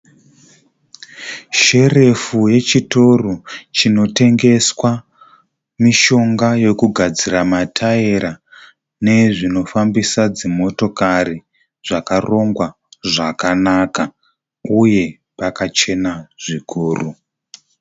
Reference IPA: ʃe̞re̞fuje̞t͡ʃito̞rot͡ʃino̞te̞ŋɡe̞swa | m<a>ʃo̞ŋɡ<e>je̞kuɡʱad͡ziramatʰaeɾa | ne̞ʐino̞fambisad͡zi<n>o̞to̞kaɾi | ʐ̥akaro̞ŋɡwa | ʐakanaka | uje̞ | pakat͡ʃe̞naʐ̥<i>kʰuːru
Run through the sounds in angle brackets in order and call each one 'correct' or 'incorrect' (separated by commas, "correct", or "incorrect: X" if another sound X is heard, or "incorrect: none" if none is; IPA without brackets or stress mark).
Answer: incorrect: i, incorrect: a, incorrect: m, correct